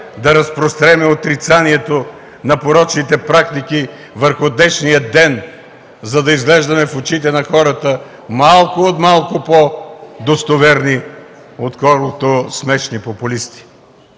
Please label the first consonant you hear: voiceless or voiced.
voiced